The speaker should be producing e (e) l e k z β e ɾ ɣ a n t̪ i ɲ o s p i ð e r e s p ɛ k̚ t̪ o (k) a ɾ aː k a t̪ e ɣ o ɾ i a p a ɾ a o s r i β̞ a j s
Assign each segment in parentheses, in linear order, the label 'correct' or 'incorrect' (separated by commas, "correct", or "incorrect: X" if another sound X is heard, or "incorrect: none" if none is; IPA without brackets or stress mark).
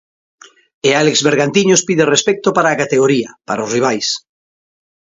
incorrect: a, incorrect: p